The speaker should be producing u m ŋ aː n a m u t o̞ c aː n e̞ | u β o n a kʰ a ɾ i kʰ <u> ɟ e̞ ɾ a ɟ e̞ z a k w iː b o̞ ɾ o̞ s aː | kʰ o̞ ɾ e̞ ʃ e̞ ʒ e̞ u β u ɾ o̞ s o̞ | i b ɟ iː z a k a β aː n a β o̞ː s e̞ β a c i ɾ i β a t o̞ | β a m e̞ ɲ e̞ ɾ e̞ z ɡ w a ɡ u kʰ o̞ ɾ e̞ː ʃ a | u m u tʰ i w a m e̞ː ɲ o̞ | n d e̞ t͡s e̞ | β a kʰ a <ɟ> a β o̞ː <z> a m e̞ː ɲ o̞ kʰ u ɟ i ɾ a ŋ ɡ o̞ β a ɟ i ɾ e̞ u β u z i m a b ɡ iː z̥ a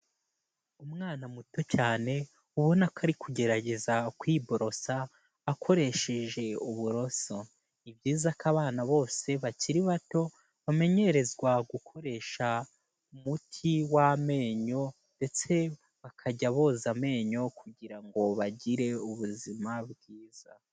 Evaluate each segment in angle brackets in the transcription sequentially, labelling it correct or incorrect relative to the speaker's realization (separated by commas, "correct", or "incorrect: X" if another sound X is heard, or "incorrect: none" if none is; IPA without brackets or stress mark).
correct, correct, correct